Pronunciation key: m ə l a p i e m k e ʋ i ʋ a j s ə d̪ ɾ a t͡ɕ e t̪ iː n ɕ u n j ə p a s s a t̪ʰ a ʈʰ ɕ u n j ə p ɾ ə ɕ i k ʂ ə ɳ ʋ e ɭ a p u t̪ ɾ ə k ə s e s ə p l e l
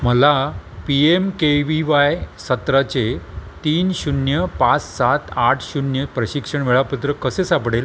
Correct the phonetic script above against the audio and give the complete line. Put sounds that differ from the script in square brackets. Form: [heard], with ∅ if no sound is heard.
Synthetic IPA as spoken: m ə l a p i e m k e ʋ i ʋ a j s ə [t̪] ɾ a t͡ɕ e t̪ iː n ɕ u n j ə p a [t͡s] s a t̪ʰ a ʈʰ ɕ u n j ə p ɾ ə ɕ i k ʂ ə ɳ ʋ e ɭ a p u t̪ ɾ ə k ə s e s [a] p [ɽ] e l